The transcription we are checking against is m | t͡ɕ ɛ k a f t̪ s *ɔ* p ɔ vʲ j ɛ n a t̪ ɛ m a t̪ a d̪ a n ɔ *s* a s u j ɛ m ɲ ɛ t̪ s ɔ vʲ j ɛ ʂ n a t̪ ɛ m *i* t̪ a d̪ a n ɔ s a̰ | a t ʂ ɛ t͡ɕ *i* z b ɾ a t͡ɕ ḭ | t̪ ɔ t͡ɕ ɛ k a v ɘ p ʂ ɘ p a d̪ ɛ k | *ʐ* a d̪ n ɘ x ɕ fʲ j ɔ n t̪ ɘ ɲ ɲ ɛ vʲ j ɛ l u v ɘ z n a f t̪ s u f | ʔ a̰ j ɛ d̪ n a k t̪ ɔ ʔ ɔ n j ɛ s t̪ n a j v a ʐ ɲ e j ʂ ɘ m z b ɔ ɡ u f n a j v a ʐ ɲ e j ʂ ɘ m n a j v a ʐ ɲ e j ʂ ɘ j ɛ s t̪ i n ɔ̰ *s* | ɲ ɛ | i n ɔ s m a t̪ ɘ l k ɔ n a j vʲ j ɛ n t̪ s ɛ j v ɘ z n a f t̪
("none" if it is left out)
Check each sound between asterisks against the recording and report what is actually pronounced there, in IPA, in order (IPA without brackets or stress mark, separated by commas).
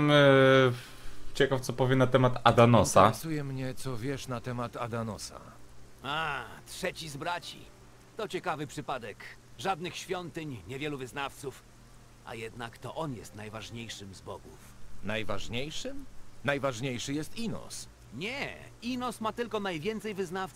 ɔ, s, a, i, ʐ, s